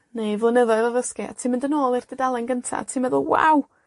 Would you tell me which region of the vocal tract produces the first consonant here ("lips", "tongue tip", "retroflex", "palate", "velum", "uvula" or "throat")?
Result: tongue tip